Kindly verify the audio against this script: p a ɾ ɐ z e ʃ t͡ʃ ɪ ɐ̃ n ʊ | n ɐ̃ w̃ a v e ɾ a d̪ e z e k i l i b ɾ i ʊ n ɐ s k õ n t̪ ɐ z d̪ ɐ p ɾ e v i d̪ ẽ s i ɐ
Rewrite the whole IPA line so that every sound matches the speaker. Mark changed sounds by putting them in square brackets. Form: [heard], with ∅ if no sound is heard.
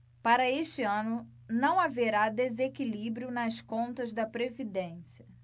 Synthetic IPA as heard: p a ɾ ɐ [∅] e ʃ t͡ʃ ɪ ɐ̃ n ʊ | n ɐ̃ w̃ a v e ɾ a d̪ e z e k i l i b ɾ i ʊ n ɐ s k õ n t̪ ɐ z d̪ ɐ p ɾ e v i d̪ ẽ s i ɐ

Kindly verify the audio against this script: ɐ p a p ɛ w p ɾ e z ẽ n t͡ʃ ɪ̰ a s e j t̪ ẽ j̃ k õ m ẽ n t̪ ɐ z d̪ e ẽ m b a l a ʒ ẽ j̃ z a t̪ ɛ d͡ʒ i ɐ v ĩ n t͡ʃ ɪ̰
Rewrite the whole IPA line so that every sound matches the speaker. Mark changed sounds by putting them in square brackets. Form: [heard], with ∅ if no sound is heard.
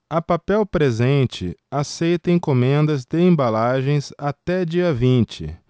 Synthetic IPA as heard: ɐ p a p ɛ w p ɾ e z ẽ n t͡ʃ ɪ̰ a s e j t̪ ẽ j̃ k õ m ẽ n [d̪] ɐ z d̪ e ẽ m b a l a ʒ ẽ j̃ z a t̪ ɛ d͡ʒ i ɐ v ĩ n t͡ʃ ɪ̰

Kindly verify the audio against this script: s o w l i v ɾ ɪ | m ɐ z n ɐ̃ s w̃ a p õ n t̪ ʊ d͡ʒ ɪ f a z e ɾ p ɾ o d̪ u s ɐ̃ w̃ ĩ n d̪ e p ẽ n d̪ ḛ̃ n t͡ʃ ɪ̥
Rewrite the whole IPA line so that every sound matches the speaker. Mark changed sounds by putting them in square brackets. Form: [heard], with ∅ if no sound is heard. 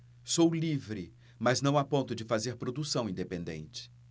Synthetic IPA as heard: s o w l i v ɾ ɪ | m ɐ z n ɐ̃ [∅] w̃ a p õ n t̪ ʊ d͡ʒ ɪ f a z e ɾ p ɾ o d̪ u s ɐ̃ w̃ ĩ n d̪ e p ẽ n d̪ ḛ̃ n t͡ʃ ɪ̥

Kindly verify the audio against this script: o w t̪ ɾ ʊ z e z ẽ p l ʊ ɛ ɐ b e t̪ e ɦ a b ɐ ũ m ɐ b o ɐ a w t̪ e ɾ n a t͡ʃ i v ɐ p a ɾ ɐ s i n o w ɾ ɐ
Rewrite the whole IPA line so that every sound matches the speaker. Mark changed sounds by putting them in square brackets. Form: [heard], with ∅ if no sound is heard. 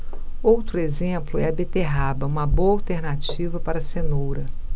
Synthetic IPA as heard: o w t̪ ɾ ʊ [∅] e z ẽ p l ʊ ɛ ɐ b e t̪ e ɦ a b ɐ ũ m ɐ b o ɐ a w t̪ e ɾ n a t͡ʃ i v ɐ p a ɾ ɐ s [e] n o w ɾ ɐ

